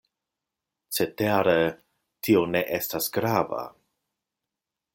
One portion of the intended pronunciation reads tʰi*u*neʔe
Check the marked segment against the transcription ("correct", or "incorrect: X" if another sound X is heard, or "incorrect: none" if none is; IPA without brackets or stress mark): incorrect: o